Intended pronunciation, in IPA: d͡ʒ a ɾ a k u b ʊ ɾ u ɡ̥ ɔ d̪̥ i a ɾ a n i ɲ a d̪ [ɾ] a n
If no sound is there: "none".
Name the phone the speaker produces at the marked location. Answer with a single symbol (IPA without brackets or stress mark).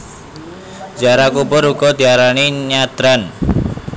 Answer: ɾ